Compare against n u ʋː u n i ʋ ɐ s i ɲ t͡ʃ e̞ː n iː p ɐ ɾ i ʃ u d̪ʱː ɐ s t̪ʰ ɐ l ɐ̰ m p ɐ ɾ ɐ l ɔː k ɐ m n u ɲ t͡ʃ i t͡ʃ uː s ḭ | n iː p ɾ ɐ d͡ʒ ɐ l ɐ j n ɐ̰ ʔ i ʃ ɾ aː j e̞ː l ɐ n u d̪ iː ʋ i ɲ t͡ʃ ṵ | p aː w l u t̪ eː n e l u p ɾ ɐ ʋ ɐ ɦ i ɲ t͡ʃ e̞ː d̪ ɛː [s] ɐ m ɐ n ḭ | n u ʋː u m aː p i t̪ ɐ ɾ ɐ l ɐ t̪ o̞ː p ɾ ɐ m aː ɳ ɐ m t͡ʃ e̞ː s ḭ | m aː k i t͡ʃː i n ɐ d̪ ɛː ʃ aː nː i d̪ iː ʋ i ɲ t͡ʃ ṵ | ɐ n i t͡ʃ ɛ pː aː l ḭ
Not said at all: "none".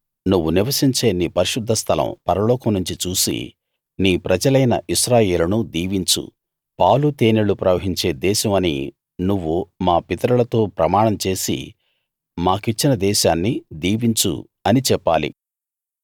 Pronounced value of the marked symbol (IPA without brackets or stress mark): ʃ